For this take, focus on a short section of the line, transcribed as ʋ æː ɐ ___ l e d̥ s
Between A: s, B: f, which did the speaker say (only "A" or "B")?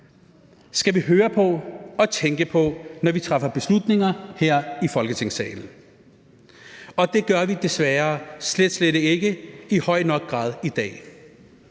A